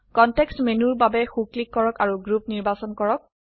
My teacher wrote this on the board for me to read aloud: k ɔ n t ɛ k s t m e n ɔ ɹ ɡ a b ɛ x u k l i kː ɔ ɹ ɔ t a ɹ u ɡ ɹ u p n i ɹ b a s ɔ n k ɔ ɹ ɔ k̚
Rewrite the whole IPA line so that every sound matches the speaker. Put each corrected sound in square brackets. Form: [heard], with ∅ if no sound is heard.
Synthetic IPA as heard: k ɔ n t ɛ k s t m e n [u] ɹ [b] a b ɛ x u k l i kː ɔ ɹ ɔ [k] a ɹ u ɡ ɹ u p n i ɹ b a s ɔ n k ɔ ɹ ɔ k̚